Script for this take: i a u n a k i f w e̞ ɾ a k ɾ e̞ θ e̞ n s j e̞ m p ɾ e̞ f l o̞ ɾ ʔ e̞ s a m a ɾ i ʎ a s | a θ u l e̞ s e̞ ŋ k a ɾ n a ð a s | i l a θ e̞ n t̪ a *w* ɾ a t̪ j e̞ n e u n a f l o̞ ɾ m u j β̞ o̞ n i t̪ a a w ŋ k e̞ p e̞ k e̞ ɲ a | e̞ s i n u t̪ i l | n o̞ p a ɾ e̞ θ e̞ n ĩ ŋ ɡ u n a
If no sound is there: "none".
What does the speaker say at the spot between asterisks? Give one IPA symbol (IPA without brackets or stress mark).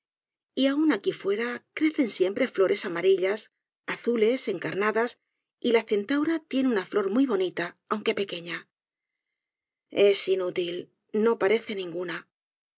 w